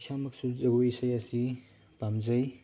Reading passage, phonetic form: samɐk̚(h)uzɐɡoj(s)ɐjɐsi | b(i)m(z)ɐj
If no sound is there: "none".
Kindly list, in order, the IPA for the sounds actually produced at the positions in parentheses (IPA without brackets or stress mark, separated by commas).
s, s, a, z